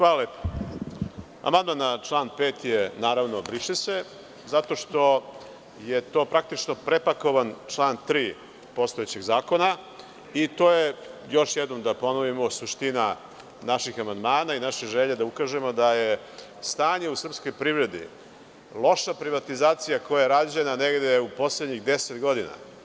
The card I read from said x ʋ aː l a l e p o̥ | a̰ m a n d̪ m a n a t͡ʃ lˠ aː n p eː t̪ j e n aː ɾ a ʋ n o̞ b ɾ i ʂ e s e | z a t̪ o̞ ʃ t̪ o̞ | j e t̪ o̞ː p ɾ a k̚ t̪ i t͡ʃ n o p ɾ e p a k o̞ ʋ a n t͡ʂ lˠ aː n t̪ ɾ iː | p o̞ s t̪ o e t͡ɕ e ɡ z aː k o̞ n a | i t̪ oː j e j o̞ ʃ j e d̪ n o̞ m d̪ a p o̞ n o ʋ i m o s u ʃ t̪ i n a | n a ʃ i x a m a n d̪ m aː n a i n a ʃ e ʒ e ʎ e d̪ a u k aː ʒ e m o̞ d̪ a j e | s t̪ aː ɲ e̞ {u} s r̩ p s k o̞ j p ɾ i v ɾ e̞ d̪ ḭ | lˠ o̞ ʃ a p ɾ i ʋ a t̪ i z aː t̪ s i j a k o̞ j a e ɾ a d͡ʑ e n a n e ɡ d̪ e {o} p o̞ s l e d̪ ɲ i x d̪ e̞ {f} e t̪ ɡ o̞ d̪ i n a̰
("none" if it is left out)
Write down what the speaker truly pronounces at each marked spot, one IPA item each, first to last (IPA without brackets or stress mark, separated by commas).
u, u, s